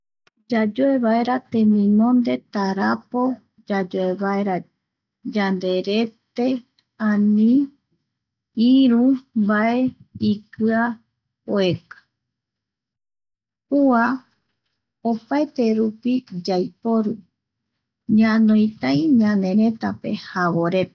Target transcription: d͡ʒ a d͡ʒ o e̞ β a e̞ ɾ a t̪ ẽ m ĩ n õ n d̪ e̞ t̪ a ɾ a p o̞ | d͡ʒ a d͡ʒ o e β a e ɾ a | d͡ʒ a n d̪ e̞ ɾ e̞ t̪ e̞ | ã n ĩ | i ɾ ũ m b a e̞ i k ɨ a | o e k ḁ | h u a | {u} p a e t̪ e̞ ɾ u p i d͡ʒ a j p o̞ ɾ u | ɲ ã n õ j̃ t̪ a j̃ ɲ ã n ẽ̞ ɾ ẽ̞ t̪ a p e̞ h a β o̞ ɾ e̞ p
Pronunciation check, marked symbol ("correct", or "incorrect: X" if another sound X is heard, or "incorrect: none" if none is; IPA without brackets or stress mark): incorrect: o